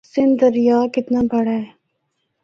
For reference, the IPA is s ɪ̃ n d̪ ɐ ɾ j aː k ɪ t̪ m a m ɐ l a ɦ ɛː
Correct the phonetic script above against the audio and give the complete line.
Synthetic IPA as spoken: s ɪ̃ n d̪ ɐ ɾ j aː k ɪ t̪ n a b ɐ ɽ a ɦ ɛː